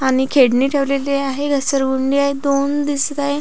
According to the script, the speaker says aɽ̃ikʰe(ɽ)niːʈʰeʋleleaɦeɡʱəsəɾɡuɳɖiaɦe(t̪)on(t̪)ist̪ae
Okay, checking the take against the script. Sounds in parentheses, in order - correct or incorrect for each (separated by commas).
correct, incorrect, incorrect